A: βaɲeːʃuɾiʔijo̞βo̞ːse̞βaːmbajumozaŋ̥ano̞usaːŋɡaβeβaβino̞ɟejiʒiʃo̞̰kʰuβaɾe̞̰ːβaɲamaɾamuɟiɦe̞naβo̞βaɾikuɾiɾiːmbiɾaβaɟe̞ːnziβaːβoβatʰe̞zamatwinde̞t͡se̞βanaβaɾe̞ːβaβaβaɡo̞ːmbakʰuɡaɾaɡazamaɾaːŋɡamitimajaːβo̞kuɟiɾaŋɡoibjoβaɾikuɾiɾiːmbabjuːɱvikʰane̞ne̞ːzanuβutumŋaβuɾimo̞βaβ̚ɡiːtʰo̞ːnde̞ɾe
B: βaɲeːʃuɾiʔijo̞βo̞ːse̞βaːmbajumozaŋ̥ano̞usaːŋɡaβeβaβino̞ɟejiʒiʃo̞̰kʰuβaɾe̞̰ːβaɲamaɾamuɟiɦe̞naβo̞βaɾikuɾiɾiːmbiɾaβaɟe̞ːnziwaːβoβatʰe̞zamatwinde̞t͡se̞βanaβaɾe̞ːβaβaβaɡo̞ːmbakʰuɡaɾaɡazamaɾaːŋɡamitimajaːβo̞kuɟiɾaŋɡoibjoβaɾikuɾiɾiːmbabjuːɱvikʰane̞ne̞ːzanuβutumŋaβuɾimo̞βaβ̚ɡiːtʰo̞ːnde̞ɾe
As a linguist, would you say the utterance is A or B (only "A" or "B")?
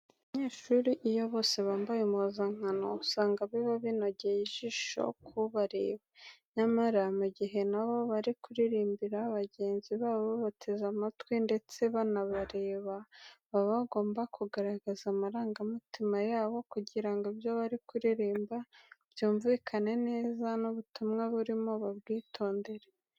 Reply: A